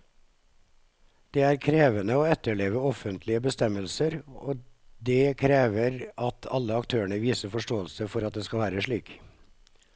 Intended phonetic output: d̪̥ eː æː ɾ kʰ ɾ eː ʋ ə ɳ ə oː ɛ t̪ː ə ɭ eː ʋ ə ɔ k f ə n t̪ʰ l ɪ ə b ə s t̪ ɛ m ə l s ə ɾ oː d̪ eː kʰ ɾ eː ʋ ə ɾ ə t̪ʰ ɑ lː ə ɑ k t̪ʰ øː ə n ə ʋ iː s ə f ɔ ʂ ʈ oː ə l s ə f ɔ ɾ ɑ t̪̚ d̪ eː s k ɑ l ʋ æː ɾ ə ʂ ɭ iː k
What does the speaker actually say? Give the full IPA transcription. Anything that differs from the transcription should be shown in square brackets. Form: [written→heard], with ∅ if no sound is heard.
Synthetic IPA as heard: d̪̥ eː æː ɾ kʰ ɾ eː ʋ ə [ɳ→n] ə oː ɛ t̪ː ə ɭ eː ʋ ə ɔ [k→∅] f ə n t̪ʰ l ɪ ə b ə s t̪ ɛ m ə l s ə ɾ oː d̪ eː kʰ ɾ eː ʋ ə ɾ [ə→ɑ] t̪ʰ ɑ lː ə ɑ k t̪ʰ øː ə [n→ɳ] ə ʋ iː s ə f ɔ ʂ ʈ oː ə l s ə f ɔ ɾ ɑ t̪̚ d̪ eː s k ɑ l ʋ æː ɾ ə ʂ ɭ iː k